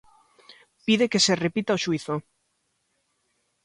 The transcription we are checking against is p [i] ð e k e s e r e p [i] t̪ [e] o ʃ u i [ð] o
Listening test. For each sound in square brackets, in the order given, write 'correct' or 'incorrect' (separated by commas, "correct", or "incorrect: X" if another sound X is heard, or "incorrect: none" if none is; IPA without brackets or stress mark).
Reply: correct, correct, incorrect: a, incorrect: θ